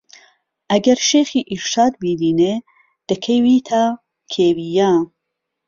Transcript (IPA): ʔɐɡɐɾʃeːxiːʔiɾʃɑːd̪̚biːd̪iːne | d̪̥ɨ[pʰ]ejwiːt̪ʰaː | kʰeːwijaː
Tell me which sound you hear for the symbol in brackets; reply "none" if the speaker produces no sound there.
kʰ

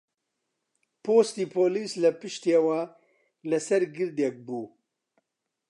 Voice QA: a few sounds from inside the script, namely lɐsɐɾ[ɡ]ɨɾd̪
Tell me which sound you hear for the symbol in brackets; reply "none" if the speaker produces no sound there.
ɡ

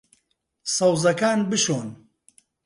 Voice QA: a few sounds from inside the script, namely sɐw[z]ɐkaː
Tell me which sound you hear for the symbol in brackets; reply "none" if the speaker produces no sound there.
z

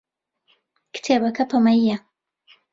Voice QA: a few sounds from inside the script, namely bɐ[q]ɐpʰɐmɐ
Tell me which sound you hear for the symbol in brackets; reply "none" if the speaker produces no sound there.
k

